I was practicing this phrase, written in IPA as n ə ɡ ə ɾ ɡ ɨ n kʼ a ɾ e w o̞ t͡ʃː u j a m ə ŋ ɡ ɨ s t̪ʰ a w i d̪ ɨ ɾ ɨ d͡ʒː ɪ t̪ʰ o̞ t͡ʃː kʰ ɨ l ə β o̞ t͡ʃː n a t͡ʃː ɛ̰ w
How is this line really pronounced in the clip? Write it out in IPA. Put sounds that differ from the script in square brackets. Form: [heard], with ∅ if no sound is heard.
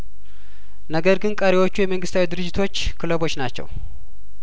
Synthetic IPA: n ə ɡ ə ɾ ɡ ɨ n kʼ [ə] ɾ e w o̞ t͡ʃː u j [ɛ] m ə ŋ ɡ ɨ s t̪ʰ a w i d̪ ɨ ɾ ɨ d͡ʒː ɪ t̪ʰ o̞ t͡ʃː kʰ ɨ l ə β o̞ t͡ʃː n a t͡ʃː ɛ̰ w